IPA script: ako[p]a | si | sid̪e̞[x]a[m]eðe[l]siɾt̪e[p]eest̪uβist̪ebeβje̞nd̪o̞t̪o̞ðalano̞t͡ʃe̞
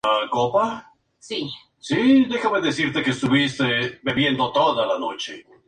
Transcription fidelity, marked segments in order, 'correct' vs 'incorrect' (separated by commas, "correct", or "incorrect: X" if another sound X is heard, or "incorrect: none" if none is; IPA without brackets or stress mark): correct, correct, correct, incorrect: none, incorrect: k